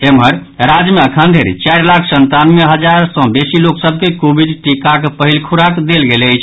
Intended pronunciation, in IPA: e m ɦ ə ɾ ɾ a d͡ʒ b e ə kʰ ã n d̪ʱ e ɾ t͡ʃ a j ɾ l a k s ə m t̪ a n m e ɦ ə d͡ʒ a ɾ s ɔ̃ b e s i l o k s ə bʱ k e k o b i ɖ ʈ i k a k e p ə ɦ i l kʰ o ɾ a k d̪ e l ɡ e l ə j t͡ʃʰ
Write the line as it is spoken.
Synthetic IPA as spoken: e m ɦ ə ɾ ɾ a d͡ʒ m e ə kʰ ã n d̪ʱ e ɾ t͡ʃ a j ɾ l a kʰ s ə n t̪ a n m e ɦ ə d͡ʒ a ɾ s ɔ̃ b e s i l o k s ə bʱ k e k o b i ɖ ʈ i k a k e p ə ɦ i l kʰ u ɾ a k d̪ e l ɡ e l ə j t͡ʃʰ